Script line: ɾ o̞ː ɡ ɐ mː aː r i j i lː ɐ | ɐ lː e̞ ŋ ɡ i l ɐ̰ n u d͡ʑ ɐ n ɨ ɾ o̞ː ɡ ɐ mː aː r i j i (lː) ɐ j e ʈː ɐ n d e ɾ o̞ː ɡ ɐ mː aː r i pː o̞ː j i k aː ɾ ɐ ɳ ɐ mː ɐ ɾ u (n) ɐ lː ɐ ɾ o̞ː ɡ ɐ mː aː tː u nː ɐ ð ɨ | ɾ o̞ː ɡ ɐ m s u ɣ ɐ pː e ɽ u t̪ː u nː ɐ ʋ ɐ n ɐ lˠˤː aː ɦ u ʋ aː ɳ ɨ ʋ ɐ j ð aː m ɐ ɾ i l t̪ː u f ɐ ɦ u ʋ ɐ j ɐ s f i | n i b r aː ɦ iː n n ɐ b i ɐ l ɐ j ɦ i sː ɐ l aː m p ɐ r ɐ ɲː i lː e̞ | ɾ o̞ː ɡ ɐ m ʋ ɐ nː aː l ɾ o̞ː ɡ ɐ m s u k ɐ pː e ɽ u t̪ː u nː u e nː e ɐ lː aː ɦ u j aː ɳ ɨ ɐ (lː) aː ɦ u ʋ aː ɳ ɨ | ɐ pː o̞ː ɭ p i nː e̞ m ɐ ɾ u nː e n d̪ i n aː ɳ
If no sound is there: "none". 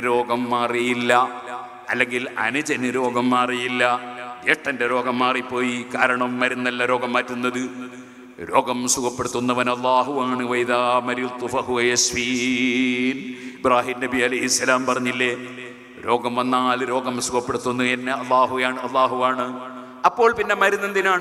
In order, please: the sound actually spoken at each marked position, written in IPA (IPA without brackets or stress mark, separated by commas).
lː, nː, lː